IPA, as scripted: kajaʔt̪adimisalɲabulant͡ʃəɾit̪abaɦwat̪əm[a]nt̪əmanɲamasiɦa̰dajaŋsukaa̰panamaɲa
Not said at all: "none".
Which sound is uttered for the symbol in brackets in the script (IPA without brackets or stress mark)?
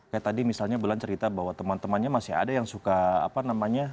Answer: a